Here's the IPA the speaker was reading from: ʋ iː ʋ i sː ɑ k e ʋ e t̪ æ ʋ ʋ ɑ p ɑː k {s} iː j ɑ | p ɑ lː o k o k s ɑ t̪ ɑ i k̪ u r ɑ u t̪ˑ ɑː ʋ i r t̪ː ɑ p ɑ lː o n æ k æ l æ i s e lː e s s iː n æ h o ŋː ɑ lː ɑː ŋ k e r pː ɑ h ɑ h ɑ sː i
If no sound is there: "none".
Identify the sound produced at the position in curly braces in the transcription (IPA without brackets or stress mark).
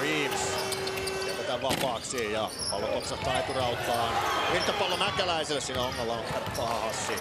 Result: s